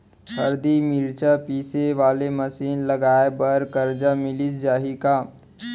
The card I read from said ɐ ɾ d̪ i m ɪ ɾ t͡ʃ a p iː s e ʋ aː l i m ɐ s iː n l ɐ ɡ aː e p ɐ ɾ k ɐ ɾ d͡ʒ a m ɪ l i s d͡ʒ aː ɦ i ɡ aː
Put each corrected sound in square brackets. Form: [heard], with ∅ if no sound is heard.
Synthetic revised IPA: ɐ ɾ d̪ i m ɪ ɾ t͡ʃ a p iː s e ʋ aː l [e] m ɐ s iː n l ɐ ɡ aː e [b] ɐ ɾ k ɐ ɾ d͡ʒ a m ɪ l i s d͡ʒ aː ɦ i [k] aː